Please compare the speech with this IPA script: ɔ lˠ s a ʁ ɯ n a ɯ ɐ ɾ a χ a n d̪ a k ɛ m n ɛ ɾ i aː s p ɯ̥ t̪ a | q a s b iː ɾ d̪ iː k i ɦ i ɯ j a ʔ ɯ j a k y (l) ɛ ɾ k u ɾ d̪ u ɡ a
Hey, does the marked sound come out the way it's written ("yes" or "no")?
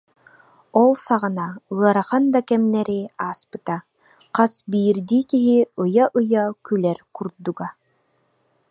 yes